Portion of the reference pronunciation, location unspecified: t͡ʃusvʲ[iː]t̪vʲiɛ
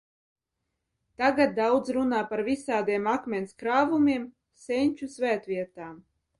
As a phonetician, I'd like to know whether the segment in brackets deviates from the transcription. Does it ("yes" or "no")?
yes